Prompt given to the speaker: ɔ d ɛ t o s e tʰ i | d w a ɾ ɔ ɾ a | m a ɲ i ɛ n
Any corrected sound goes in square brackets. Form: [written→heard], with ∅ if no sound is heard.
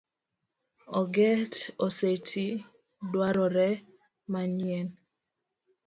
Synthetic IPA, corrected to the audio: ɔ [d→ɡ] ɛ t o s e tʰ i | d w a ɾ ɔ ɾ [a→ɛ] | m a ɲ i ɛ n